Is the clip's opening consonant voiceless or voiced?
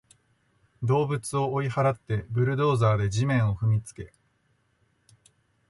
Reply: voiced